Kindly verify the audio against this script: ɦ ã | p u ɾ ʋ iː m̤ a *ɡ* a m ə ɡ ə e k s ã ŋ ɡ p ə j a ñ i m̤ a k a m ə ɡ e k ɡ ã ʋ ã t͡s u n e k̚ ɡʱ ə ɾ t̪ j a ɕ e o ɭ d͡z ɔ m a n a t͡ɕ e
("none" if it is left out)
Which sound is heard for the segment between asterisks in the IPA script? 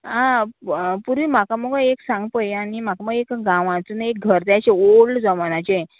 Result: k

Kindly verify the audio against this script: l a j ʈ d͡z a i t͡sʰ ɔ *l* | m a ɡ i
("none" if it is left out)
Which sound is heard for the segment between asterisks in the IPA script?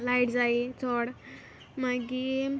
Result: ɽ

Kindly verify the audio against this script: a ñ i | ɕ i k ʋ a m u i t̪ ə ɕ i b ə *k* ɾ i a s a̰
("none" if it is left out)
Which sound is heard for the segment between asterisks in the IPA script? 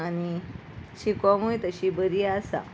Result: none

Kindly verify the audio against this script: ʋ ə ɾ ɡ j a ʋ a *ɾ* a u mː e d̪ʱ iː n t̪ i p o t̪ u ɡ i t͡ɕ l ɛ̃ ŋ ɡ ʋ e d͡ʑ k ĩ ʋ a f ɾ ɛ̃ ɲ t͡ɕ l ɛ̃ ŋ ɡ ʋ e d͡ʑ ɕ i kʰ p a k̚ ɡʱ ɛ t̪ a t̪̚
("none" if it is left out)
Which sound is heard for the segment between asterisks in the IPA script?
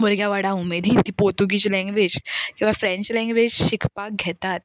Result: ɽ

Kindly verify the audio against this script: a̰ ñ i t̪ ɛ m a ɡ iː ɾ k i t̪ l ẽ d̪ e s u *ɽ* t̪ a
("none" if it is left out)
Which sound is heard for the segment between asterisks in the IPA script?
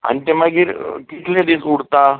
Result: ɽ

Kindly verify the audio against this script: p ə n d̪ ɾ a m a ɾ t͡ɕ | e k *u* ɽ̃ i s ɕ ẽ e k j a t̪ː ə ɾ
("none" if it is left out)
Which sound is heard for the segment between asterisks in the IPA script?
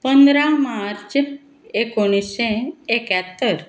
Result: o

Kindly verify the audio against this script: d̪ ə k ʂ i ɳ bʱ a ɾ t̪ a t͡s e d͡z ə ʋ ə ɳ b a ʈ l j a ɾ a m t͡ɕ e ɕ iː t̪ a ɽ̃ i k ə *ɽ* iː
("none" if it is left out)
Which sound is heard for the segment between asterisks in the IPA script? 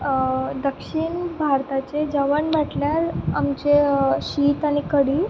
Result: ɽ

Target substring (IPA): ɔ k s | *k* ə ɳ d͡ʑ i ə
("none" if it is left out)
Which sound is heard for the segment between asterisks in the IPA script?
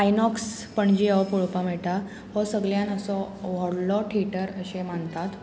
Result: p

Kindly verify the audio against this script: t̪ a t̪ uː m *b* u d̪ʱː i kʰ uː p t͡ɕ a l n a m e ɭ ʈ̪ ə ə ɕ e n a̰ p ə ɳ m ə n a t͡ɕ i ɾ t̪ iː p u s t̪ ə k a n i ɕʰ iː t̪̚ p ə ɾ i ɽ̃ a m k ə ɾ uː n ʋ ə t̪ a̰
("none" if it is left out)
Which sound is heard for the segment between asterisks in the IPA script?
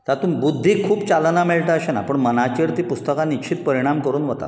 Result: b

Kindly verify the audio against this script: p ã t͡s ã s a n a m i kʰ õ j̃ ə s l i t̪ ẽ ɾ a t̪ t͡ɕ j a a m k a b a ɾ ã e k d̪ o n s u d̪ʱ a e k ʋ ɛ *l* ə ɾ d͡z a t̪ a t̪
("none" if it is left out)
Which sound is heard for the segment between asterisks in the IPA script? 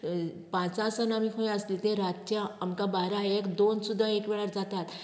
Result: ɭ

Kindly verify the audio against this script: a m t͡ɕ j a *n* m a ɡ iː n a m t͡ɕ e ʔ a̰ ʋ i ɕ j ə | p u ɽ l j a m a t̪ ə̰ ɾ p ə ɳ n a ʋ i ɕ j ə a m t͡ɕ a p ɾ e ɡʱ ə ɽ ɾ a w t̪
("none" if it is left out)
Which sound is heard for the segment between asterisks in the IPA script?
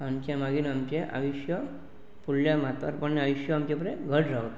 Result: none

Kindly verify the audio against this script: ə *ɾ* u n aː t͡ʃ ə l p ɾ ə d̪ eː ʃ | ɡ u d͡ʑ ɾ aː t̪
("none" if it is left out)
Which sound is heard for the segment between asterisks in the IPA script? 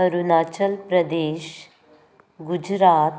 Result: ɾ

